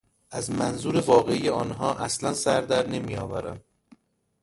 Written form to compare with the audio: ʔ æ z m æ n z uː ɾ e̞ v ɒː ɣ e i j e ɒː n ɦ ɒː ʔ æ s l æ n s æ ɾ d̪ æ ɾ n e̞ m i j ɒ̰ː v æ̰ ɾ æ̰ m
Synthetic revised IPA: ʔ æ z m æ n z uː ɾ e̞ v ɒː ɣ e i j e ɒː n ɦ ɒː ʔ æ s l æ n s æ ɾ d̪ æ ɾ n e̞ m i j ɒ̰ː v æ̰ ɾ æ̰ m